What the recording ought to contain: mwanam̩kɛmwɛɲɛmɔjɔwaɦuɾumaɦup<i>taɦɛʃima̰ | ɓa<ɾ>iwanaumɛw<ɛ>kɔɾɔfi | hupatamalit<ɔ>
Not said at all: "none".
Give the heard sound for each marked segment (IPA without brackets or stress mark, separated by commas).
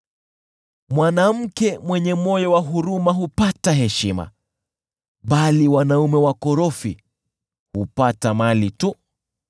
a, l, a, u